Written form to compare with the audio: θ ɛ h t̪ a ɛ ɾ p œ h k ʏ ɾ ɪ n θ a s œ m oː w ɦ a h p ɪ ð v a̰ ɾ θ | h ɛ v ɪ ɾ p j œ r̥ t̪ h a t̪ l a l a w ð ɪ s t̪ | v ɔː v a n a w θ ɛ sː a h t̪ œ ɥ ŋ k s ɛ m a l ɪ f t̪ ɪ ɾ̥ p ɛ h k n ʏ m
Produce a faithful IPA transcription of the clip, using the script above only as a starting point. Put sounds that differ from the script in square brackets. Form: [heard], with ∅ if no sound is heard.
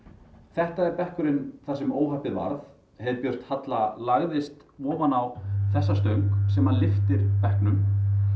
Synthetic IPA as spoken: θ ɛ h t̪ a ɛ ɾ p [ɛ] h k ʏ ɾ ɪ n θ a s [ɛ] m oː w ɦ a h p ɪ ð v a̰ ɾ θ | h ɛ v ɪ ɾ p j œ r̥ t̪ h a t̪ l a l a [ɣ] ð ɪ s t̪ | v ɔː v a n a w θ ɛ sː a [s] t̪ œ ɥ ŋ k s ɛ m a l ɪ f t̪ ɪ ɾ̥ p ɛ h k n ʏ m